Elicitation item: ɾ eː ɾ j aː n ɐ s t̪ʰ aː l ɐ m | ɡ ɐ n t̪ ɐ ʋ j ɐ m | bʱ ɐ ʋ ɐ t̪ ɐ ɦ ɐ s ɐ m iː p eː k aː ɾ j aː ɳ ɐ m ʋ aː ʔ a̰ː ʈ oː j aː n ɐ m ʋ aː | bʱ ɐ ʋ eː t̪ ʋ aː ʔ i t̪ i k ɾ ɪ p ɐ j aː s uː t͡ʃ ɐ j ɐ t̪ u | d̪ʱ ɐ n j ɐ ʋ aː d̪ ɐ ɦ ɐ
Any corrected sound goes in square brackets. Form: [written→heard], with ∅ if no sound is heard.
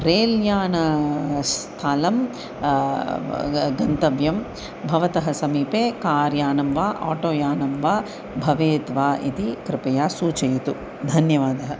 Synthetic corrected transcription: ɾ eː [ɾ→l] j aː n ɐ s t̪ʰ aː l ɐ m | ɡ ɐ n t̪ ɐ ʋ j ɐ m | bʱ ɐ ʋ ɐ t̪ ɐ ɦ ɐ s ɐ m iː p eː k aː ɾ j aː [ɳ→n] ɐ m ʋ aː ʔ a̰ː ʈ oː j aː n ɐ m ʋ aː | bʱ ɐ ʋ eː t̪ ʋ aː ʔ i t̪ i k ɾ ɪ p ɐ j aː s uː t͡ʃ ɐ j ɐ t̪ u | d̪ʱ ɐ n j ɐ ʋ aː d̪ ɐ ɦ ɐ